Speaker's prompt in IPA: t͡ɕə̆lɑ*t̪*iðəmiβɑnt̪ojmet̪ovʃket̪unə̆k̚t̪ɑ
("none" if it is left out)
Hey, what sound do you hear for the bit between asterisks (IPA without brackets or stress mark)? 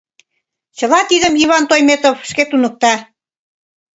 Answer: t̪